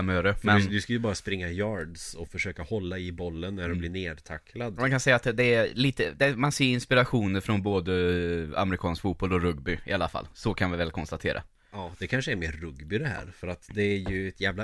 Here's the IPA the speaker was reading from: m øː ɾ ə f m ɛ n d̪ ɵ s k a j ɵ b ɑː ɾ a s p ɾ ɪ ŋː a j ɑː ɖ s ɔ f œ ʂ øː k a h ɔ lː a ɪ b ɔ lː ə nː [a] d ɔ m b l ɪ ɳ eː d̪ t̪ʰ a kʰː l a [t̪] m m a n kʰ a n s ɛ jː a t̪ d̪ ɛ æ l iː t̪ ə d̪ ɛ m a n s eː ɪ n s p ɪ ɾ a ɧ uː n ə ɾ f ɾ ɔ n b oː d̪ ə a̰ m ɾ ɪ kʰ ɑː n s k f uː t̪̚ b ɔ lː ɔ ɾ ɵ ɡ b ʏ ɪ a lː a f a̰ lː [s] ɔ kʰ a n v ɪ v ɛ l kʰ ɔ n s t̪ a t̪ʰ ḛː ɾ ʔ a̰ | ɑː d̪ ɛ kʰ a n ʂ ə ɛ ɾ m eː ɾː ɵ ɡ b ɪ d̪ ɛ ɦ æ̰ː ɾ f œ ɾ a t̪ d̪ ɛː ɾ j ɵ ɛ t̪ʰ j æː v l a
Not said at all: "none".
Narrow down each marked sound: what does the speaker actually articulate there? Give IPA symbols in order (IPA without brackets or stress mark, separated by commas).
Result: æ, d̪, s